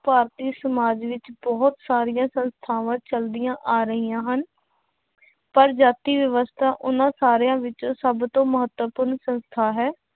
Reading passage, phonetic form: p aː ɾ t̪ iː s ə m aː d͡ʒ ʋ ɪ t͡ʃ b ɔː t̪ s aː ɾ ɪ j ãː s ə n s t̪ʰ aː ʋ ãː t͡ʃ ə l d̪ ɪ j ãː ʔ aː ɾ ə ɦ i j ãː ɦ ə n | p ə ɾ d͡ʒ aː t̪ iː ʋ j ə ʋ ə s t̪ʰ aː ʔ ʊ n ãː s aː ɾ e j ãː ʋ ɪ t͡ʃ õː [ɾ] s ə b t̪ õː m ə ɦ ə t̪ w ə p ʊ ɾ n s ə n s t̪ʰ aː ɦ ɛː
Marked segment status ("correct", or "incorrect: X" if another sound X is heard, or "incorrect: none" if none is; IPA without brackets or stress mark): incorrect: none